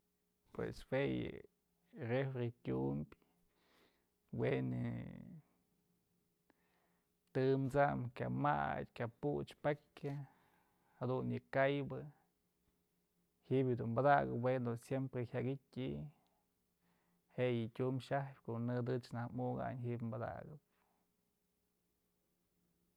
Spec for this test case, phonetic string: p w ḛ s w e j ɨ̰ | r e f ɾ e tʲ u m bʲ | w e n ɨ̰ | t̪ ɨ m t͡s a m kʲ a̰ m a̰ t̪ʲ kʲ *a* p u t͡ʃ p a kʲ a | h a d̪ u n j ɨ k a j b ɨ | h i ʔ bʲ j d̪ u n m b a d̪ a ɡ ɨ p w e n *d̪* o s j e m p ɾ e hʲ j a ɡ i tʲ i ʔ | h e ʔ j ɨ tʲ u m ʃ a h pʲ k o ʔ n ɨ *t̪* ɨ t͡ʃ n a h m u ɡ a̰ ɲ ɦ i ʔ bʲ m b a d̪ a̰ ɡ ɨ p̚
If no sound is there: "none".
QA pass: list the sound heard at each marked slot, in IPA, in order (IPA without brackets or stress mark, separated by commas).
a, d̪, d̪